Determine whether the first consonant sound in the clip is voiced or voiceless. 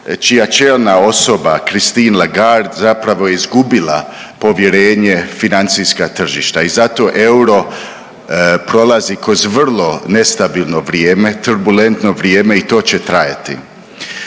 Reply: voiceless